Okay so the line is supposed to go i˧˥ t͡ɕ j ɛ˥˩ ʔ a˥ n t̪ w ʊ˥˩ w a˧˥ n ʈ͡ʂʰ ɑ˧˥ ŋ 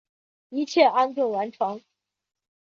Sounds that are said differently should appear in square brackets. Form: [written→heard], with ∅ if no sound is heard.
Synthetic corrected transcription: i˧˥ [t͡ɕ→t͡ɕʰ] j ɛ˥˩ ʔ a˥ n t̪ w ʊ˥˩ w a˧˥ n ʈ͡ʂʰ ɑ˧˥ ŋ